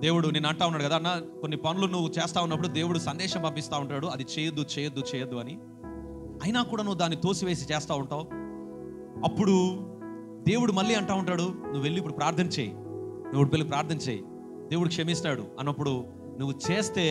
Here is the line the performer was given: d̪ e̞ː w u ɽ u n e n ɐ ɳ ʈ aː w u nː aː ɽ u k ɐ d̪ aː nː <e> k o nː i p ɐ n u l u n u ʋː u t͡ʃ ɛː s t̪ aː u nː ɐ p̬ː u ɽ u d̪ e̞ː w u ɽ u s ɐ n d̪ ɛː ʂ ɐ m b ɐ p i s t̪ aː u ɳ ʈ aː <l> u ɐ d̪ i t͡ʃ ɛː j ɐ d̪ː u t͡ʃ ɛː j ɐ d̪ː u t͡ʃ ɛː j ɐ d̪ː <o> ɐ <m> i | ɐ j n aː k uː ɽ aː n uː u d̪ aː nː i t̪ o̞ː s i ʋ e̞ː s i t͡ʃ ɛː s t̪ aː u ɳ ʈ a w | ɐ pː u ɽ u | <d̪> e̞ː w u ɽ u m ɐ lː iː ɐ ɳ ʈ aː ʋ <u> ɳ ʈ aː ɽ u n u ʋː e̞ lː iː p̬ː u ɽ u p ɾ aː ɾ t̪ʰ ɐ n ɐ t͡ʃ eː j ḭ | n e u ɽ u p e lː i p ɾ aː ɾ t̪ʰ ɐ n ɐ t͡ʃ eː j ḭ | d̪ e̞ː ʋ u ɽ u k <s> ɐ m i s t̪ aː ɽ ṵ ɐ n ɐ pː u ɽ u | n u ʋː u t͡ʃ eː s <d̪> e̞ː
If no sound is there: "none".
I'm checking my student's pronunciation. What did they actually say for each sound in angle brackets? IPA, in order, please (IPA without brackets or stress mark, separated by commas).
a, ɽ, u, n, d̪, u, ʂ, t̪